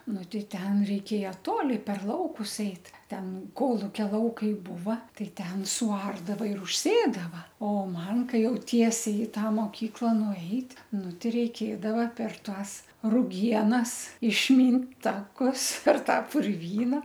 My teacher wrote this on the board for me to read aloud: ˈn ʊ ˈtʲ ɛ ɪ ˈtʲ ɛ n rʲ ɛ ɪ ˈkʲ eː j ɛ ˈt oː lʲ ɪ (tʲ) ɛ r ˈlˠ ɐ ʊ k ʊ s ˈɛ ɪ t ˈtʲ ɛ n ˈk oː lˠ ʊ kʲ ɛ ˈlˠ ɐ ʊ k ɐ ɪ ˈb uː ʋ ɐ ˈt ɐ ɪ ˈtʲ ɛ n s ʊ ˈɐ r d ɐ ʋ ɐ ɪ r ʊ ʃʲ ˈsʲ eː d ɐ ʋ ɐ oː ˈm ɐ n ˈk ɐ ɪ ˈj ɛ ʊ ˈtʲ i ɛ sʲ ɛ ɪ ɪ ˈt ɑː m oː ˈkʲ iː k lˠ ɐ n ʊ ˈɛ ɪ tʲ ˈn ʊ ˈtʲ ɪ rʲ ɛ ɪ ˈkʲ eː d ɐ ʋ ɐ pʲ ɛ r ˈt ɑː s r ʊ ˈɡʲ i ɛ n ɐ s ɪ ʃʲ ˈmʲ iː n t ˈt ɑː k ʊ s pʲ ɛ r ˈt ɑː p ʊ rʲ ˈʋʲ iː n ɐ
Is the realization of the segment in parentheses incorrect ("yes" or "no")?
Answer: yes